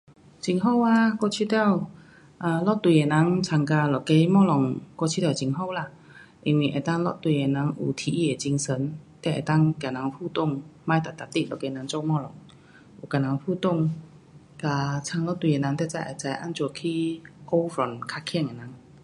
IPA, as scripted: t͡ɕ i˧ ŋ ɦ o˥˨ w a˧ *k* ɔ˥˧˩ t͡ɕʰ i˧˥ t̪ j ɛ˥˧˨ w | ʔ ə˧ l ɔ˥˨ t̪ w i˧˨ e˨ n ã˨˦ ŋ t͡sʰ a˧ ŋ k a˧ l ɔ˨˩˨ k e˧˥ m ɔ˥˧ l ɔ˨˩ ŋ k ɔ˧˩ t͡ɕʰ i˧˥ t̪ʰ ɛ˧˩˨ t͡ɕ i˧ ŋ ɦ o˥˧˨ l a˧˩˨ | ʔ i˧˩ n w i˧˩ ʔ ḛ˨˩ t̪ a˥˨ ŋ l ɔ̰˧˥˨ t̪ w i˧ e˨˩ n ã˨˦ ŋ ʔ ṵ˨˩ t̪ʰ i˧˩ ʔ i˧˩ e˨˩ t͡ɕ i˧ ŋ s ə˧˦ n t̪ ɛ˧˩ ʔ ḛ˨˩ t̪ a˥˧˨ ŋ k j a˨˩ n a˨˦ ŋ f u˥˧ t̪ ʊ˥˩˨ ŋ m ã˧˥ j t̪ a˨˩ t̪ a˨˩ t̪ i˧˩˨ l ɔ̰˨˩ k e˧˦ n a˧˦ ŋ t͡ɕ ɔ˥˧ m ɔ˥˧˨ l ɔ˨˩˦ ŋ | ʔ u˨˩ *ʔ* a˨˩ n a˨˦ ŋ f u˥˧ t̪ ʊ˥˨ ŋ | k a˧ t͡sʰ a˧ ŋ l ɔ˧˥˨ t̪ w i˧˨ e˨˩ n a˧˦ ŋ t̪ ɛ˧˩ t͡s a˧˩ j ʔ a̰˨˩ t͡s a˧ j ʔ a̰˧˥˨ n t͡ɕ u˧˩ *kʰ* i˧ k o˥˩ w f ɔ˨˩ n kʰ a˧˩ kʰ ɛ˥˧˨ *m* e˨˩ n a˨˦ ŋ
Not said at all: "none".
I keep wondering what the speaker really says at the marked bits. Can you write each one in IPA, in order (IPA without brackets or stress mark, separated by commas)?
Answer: k, k, kʰ, ŋ